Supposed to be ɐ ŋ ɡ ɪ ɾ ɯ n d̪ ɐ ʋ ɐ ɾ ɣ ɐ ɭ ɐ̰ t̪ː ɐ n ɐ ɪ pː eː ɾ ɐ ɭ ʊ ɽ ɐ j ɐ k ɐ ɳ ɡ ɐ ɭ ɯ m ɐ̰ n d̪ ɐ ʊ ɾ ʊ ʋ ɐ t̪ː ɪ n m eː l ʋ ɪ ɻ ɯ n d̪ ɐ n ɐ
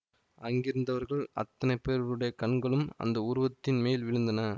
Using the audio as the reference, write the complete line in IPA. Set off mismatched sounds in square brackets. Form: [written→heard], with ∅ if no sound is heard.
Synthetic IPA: ɐ ŋ ɡ ɪ ɾ ɯ n d̪ ɐ ʋ ɐ ɾ ɣ ɐ ɭ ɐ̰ t̪ː ɐ n ɐ ɪ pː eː ɾ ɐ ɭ [ʊ→ɯ] ɽ ɐ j ɐ k ɐ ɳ ɡ ɐ ɭ ɯ m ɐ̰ n d̪ ɐ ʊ ɾ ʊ ʋ ɐ t̪ː ɪ n m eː l ʋ ɪ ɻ ɯ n d̪ ɐ n ɐ